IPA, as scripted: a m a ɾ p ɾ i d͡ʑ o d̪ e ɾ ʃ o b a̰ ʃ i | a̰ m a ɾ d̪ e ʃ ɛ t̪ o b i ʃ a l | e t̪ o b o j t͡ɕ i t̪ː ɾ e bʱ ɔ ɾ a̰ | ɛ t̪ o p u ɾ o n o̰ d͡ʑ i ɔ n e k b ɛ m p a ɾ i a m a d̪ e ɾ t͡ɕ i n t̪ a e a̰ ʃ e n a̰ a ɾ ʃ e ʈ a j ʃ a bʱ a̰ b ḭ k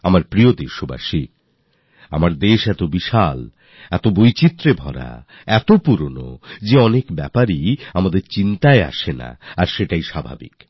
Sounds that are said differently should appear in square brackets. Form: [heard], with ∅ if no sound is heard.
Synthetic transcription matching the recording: a m a ɾ p ɾ i [∅] o d̪ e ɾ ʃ o b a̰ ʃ i | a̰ m a ɾ d̪ e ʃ ɛ t̪ o b i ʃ a l | [ɛ] t̪ o b o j t͡ɕ i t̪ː ɾ e bʱ ɔ ɾ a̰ | ɛ t̪ o p u ɾ o n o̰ d͡ʑ [e] ɔ n e k b ɛ [∅] p a ɾ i a m a d̪ e ɾ t͡ɕ i n t̪ a e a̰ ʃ e n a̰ a ɾ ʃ e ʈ a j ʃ a bʱ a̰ b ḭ k